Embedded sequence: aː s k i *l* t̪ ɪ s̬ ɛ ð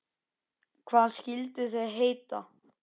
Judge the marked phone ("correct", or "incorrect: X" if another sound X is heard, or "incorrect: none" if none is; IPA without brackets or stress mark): correct